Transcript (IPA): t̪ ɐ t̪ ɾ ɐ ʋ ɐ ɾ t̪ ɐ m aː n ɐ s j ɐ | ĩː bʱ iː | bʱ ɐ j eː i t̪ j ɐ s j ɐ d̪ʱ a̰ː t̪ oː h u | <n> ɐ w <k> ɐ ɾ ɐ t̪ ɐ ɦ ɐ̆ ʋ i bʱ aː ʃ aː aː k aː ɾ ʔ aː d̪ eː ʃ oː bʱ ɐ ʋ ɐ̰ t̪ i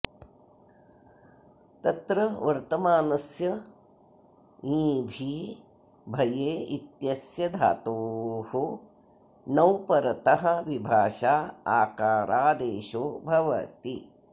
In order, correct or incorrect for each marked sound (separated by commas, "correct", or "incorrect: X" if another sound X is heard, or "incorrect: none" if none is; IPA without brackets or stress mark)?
correct, incorrect: p